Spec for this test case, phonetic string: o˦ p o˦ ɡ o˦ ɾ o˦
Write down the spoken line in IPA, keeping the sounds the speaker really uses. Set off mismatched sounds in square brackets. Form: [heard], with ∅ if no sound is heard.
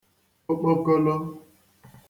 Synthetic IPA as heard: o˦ [k͡p] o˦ [k] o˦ [l] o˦